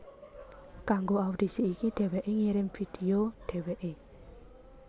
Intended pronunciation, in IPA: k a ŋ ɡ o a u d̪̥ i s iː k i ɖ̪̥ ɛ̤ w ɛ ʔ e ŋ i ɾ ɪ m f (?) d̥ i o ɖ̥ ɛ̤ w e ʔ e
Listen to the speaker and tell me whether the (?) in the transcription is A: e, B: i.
B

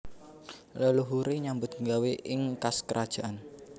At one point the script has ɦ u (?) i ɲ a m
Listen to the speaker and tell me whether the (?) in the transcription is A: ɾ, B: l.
A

